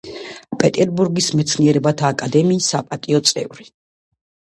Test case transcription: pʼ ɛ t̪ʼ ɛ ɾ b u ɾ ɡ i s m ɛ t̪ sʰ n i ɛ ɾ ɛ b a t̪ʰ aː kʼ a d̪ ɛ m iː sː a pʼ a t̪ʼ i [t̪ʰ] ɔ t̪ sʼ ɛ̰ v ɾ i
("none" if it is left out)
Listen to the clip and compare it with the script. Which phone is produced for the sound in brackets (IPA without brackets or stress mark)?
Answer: none